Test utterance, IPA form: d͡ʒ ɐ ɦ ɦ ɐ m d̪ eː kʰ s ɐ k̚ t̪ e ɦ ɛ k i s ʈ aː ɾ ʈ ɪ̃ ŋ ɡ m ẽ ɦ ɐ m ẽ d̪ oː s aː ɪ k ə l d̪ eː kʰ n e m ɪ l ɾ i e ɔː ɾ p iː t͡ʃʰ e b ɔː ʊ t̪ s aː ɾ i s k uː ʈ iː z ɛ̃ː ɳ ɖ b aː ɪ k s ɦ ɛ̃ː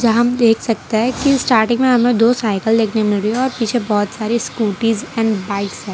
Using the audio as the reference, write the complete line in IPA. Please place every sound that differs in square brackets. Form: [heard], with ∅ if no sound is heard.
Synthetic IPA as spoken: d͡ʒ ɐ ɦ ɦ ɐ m d̪ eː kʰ s ɐ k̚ t̪ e ɦ ɛ k i s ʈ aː ɾ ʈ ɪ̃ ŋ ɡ m ẽ ɦ ɐ m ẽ d̪ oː s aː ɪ k ə l d̪ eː kʰ n e m ɪ l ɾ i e ɔː ɾ p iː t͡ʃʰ e b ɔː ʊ t̪ s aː ɾ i s k uː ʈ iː z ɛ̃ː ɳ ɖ b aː ɪ k s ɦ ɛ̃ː